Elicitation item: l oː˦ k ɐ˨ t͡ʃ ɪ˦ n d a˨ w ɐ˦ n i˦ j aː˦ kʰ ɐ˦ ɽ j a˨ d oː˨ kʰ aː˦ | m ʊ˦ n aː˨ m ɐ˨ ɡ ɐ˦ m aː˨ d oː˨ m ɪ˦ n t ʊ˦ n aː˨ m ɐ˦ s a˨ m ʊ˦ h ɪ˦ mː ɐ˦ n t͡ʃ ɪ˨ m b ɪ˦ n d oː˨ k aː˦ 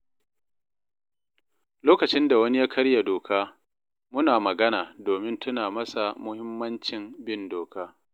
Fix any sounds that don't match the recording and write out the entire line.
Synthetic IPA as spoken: l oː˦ k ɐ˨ t͡ʃ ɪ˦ n d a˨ w ɐ˦ n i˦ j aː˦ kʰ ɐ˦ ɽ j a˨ d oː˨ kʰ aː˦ | m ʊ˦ n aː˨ m ɐ˨ ɡ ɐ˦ n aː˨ d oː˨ m ɪ˦ n t ʊ˦ n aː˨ m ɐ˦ s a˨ m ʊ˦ h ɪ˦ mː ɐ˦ n t͡ʃ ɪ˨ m b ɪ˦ n d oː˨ k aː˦